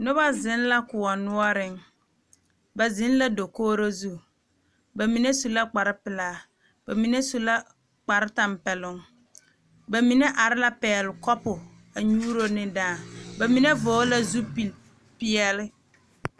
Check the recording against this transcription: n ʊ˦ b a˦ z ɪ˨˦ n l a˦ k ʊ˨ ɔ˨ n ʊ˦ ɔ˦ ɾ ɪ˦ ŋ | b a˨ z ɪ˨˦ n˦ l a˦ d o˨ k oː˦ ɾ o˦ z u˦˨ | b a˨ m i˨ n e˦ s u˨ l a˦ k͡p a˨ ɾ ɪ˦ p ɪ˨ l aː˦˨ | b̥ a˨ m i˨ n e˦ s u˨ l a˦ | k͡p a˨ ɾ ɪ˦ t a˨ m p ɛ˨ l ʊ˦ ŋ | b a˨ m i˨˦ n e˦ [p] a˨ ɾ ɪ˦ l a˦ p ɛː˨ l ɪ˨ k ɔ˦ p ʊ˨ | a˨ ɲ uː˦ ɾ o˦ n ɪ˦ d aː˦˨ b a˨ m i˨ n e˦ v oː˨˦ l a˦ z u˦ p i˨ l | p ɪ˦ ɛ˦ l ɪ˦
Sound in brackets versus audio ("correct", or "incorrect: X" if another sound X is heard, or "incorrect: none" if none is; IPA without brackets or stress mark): incorrect: ʔ